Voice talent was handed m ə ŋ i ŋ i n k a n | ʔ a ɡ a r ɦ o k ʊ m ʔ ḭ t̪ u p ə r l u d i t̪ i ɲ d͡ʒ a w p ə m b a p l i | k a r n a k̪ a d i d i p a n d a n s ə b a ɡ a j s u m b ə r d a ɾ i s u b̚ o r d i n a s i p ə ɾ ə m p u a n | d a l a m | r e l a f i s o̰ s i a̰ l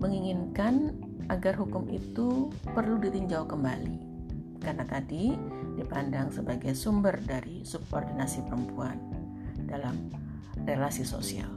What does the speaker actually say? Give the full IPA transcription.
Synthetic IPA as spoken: m ə ŋ i ŋ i n k a n | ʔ a ɡ a r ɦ u k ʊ m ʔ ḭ t̪ u p ə r l u d i t̪ i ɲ d͡ʒ a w k ə m b a l i | k a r n a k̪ a d i d i p a n d a ŋ s ə b a ɡ a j s u m b ə r d a ɾ i s u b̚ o r d i n a s i p ə ɾ ə m p u a n | d a l a m | r e l a s i s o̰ s i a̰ l